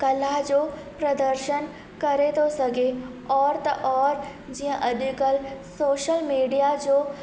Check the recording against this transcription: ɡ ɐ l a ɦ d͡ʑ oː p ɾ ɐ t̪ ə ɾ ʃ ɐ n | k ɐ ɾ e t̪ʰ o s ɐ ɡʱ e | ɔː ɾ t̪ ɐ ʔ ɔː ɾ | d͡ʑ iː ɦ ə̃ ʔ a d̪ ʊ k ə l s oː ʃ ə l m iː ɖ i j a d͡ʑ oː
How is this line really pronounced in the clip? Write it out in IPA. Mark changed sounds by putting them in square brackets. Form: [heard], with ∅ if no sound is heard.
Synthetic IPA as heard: [k] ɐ l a ɦ d͡ʑ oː p ɾ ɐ [d̪] ə ɾ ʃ [ə] n | k ɐ ɾ e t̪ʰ o s ɐ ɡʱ e | ɔː ɾ t̪ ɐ ʔ ɔː ɾ | d͡ʑ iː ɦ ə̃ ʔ [ɐ] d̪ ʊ k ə l s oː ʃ ə l m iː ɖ i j a d͡ʑ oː